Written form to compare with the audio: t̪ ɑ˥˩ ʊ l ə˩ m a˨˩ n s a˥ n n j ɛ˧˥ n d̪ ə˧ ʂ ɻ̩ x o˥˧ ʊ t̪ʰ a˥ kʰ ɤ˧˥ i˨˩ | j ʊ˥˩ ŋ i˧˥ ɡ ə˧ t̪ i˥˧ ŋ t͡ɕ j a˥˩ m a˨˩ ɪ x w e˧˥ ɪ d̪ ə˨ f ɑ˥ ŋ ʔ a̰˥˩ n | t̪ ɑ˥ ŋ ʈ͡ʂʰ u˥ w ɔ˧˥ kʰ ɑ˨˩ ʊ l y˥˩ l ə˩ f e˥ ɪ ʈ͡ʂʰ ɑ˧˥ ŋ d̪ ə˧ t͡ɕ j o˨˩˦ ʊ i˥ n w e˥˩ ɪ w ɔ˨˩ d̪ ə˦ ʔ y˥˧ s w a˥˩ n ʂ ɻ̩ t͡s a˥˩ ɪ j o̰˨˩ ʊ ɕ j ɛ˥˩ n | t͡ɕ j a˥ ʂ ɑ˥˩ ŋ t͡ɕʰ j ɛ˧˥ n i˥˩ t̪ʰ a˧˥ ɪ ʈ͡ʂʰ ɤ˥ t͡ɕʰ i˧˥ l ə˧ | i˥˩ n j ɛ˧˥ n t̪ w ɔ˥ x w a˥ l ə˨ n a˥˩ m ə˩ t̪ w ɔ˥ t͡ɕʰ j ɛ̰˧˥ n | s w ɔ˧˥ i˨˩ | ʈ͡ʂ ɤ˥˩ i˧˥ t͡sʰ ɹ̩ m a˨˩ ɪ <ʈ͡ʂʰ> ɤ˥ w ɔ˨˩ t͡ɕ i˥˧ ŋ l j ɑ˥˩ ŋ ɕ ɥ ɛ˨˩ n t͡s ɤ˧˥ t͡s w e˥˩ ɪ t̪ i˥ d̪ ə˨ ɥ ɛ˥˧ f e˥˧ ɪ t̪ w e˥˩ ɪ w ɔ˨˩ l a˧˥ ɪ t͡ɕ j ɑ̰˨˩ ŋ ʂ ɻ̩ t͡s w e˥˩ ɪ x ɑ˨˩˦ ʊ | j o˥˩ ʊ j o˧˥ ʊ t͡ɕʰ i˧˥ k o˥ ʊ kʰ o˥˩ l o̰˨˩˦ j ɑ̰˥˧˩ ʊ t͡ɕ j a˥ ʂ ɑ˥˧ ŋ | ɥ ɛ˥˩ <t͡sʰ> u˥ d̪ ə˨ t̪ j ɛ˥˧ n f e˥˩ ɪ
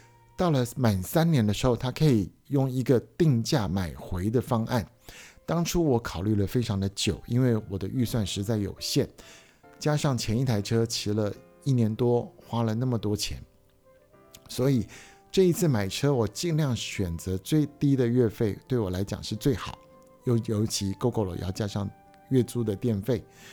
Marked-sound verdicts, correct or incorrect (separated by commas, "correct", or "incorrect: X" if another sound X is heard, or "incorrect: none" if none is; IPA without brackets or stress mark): correct, incorrect: t͡s